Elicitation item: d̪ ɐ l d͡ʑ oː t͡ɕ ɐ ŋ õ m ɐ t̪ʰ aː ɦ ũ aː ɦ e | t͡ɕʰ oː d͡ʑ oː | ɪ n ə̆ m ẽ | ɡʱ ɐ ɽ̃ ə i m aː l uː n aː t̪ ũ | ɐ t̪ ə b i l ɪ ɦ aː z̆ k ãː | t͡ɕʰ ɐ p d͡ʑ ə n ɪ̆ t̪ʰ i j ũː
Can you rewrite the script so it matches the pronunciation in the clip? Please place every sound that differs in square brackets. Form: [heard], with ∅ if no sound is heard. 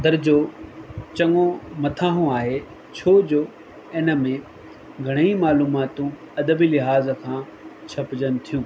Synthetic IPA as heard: d̪ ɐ [ɾ] d͡ʑ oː t͡ɕ ɐ ŋ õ m ɐ t̪ʰ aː ɦ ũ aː ɦ e | t͡ɕʰ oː d͡ʑ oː | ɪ n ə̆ m ẽ | ɡʱ ɐ ɽ̃ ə i m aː l uː [m] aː t̪ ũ | ɐ [d̪] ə b i l ɪ ɦ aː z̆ [kʰ] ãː | t͡ɕʰ ɐ p d͡ʑ ə n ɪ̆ t̪ʰ i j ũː